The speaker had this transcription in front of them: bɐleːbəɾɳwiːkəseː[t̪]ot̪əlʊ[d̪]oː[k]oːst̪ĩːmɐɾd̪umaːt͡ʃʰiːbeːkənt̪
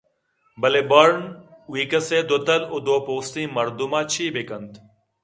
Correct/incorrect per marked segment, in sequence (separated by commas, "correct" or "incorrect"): incorrect, correct, incorrect